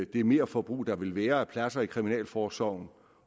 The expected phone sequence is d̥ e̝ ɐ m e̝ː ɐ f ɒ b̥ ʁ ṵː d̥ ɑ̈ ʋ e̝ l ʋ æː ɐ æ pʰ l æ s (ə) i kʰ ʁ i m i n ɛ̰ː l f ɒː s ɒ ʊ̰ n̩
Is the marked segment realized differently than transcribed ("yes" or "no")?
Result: yes